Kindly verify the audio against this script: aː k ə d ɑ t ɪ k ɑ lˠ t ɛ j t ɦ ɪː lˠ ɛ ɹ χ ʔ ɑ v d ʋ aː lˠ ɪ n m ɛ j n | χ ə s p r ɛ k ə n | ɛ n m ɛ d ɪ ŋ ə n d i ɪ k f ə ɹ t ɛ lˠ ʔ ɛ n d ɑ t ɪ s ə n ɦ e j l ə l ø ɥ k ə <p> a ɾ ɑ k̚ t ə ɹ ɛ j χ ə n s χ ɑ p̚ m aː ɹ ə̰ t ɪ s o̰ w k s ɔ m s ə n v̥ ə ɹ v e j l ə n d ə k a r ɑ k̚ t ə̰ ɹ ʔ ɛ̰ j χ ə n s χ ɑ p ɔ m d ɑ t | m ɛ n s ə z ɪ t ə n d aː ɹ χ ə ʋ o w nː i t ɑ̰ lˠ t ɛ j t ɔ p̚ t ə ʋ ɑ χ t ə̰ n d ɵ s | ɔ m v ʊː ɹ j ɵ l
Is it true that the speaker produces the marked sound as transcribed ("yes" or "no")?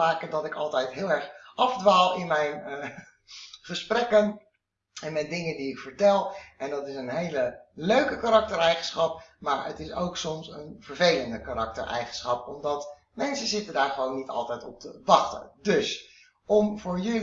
no